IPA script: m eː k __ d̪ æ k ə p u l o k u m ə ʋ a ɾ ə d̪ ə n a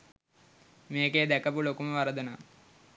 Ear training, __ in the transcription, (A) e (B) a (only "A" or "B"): A